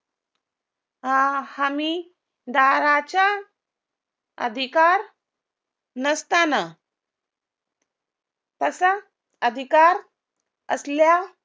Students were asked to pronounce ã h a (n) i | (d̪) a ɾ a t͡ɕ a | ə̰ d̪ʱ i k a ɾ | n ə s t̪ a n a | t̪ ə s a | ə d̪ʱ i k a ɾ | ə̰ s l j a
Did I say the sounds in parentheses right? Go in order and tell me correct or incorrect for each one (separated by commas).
incorrect, correct